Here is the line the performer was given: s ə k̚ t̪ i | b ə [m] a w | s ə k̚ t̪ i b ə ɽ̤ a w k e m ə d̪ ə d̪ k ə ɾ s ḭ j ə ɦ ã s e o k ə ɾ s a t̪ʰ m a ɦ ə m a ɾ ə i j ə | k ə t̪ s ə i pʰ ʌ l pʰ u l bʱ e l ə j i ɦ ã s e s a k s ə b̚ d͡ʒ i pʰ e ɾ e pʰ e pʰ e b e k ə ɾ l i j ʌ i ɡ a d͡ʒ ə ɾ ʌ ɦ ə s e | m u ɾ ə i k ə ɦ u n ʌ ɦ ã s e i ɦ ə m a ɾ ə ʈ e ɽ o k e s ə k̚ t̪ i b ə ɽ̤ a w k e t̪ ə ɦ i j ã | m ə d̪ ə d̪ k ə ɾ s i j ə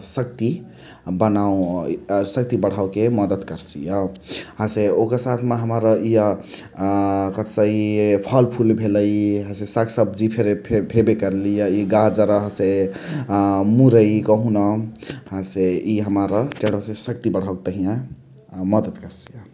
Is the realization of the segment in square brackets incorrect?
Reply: yes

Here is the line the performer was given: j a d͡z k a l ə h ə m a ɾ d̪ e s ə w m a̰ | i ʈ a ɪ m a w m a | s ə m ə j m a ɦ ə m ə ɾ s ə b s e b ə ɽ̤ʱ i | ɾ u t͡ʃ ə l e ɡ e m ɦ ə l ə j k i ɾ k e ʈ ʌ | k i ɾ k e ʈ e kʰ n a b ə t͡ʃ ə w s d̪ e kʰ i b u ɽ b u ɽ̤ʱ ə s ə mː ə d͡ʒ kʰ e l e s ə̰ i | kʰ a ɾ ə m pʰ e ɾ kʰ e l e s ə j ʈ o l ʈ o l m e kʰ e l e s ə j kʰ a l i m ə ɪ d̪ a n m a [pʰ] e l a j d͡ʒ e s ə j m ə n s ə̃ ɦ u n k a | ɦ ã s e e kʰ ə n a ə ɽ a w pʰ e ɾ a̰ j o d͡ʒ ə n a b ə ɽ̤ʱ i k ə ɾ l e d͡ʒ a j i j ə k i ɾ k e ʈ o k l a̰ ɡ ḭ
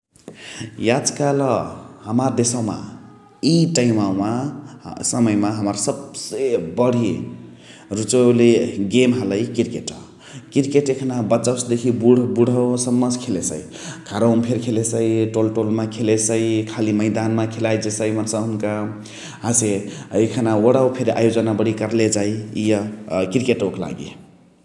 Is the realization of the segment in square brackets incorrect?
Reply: yes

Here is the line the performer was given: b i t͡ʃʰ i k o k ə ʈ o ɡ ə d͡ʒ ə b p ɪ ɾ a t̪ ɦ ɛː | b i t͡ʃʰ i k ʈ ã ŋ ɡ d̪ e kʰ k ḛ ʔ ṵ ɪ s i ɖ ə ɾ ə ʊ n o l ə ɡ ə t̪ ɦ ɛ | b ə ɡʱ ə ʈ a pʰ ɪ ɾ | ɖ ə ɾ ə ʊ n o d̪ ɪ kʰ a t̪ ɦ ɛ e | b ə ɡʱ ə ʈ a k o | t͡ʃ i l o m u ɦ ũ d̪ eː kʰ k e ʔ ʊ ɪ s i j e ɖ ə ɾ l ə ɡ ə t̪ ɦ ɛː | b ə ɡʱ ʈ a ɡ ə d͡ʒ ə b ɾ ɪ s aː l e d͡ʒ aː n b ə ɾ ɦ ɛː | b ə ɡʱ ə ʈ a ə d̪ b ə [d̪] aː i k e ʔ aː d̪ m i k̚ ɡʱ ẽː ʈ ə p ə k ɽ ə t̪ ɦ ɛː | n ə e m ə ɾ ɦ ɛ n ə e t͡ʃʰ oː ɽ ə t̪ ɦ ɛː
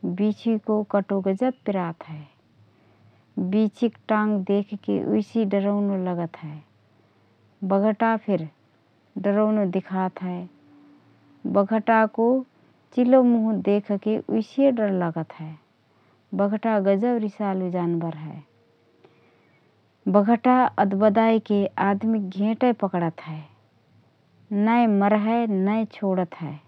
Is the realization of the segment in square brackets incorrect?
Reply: no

